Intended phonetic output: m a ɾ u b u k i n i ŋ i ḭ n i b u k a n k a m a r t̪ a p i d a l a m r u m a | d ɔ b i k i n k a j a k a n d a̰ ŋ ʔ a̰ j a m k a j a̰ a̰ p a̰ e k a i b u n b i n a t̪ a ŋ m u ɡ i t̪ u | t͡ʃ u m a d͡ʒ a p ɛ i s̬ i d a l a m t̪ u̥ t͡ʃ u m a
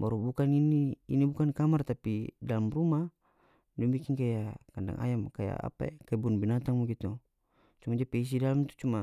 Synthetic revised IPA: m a ɾ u b u k a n i n i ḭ n i b u k a n k a m a r t̪ a p i d a l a m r u m a | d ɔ b i k i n k a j a k a n d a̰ ŋ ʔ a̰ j a m k a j a̰ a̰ p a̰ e k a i b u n b i n a t̪ a ŋ m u ɡ i t̪ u | t͡ʃ u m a d͡ʒ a p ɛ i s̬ i d a l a m t̪ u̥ t͡ʃ u m a